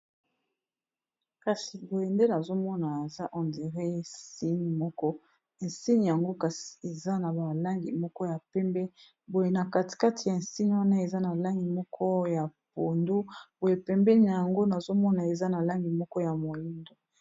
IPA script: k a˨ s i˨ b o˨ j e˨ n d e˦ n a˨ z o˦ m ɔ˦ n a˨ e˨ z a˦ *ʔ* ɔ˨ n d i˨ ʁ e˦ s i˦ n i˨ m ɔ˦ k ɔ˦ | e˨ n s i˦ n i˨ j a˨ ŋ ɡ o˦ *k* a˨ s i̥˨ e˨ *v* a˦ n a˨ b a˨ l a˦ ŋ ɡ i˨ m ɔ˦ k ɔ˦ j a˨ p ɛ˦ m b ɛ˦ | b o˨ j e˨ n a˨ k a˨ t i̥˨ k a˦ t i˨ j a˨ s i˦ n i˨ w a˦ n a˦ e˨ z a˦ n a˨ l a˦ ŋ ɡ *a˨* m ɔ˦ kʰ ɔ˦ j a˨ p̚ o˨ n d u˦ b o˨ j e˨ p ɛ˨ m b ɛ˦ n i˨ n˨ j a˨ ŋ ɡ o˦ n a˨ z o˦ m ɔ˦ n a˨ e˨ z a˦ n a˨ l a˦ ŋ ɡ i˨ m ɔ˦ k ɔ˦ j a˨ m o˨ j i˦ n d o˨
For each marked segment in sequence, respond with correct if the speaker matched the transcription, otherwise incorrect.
correct, correct, incorrect, incorrect

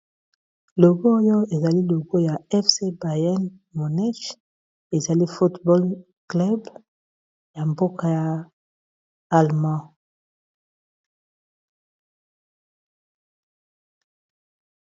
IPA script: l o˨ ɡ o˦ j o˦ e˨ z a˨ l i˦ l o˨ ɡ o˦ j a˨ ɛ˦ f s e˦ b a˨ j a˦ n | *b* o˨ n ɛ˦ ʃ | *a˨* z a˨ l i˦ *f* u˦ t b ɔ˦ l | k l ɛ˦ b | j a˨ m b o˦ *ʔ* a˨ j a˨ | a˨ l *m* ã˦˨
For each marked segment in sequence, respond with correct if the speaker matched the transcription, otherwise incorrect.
incorrect, incorrect, correct, incorrect, correct

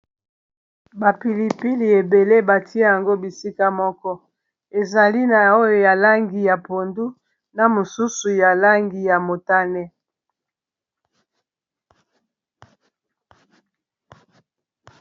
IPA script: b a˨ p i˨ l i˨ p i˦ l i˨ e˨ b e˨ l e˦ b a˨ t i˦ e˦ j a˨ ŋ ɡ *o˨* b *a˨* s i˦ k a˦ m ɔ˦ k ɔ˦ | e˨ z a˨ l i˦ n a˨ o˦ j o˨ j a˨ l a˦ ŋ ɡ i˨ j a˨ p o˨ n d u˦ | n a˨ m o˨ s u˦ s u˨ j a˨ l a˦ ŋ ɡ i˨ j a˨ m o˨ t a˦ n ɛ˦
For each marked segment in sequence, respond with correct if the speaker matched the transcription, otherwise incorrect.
incorrect, incorrect

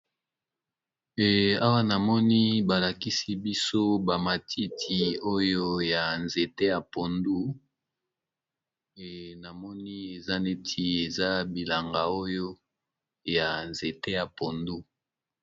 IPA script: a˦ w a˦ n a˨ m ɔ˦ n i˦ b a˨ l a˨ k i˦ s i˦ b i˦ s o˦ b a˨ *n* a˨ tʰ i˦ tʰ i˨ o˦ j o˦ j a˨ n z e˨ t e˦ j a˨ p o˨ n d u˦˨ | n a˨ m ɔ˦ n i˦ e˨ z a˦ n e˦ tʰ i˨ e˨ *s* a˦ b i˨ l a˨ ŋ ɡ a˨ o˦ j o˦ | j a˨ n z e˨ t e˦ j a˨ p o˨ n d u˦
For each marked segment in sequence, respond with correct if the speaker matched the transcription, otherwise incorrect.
incorrect, incorrect

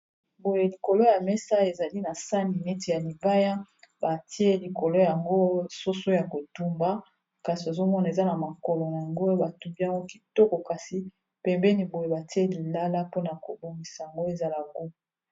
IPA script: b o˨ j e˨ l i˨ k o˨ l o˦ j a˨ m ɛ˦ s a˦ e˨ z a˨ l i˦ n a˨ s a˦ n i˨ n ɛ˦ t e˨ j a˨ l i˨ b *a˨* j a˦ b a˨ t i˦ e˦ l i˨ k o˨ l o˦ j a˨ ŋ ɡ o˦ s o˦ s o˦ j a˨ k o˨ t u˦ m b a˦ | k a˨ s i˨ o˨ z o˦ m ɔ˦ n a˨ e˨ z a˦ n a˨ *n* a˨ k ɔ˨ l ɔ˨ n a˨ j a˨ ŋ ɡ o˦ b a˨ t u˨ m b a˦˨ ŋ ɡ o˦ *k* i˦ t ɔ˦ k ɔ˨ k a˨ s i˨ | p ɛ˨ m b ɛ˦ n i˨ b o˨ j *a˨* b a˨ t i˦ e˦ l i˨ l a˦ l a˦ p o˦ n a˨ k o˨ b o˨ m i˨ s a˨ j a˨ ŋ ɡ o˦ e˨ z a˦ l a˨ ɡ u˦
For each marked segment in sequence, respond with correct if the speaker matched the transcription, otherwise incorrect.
incorrect, incorrect, correct, incorrect

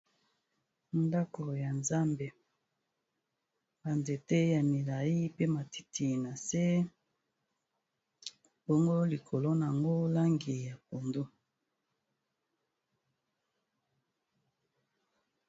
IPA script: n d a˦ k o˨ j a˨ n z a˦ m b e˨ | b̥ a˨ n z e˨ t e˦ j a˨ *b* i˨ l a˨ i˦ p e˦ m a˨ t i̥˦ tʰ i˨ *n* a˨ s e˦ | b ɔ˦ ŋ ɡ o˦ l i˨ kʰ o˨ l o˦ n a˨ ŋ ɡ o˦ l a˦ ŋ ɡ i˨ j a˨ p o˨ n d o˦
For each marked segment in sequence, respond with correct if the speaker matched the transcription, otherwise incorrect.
incorrect, correct

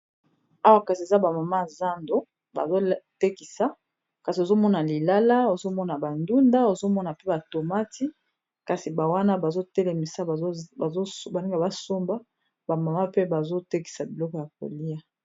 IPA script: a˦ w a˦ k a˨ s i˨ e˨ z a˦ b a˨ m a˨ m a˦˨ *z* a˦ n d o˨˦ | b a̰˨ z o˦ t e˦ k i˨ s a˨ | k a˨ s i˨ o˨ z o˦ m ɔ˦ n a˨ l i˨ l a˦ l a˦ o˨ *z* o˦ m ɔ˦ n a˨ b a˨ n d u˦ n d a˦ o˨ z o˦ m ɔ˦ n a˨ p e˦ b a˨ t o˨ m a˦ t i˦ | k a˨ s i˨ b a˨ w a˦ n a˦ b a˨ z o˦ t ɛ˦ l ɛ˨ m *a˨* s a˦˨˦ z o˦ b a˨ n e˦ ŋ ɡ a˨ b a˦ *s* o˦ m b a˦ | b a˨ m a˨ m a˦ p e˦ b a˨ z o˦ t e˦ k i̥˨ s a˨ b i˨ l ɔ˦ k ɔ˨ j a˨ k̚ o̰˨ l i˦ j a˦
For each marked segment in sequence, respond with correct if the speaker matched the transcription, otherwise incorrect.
correct, correct, incorrect, correct

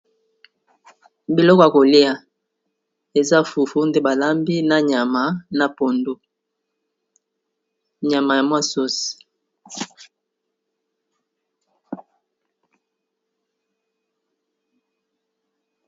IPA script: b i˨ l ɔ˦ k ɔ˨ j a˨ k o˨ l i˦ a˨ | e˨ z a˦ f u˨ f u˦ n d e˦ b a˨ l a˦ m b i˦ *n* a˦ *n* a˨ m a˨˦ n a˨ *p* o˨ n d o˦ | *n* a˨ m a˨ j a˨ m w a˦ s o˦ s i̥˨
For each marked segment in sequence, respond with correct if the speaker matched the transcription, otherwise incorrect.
correct, incorrect, correct, incorrect

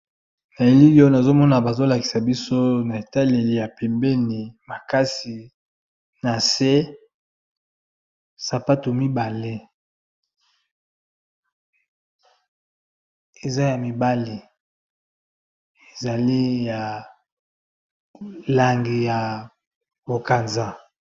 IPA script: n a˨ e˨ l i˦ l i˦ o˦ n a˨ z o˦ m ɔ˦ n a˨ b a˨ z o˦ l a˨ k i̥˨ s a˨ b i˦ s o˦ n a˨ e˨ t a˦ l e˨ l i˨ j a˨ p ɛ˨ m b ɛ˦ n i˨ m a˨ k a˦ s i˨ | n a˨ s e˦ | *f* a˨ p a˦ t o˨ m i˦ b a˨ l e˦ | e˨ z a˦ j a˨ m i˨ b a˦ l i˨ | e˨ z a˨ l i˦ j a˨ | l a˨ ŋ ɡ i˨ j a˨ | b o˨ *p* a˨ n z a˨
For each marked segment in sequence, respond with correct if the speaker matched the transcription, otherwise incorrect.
incorrect, incorrect

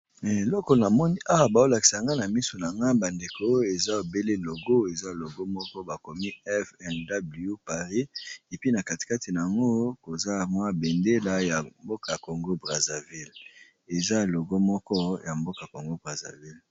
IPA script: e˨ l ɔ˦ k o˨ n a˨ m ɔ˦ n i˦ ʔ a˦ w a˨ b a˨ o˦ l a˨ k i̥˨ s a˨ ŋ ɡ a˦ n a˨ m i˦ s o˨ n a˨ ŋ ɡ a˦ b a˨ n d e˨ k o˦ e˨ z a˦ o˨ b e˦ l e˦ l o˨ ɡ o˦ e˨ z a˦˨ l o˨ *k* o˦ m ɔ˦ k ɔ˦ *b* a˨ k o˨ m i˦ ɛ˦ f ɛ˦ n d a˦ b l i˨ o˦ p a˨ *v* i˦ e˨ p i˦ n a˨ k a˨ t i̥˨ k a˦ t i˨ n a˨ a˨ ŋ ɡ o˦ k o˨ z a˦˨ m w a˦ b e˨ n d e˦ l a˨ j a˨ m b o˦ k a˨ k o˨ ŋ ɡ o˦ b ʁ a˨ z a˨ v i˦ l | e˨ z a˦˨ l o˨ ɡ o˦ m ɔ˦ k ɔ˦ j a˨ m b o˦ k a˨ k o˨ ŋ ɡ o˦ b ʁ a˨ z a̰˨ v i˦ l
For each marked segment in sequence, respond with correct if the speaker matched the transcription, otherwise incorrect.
incorrect, correct, incorrect

